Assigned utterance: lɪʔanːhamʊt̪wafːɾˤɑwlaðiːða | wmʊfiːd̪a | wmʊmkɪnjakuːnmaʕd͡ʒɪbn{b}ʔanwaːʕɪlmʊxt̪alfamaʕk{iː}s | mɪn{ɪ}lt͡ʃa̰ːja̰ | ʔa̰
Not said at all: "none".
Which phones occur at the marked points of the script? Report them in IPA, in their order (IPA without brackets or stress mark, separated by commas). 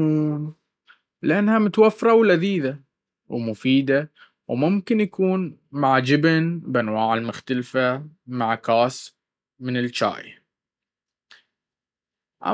b, aː, ɪ